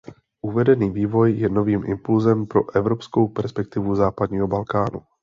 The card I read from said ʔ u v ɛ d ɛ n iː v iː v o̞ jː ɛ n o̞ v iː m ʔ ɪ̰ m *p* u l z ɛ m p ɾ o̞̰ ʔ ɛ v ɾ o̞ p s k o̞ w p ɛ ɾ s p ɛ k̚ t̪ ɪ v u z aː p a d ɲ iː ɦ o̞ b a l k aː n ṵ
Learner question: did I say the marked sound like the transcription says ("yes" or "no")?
yes